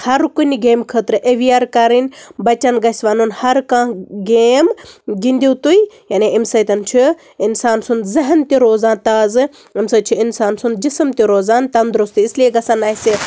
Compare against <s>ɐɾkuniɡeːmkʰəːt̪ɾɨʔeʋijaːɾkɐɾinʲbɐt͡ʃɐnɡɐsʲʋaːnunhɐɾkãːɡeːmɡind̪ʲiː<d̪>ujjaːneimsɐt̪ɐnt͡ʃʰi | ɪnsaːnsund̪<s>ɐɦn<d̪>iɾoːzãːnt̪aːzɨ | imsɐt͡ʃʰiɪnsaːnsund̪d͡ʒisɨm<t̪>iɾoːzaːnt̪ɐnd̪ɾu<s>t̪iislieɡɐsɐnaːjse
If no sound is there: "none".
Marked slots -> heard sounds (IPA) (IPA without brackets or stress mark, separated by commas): h, t̪, z, t̪, t̪, s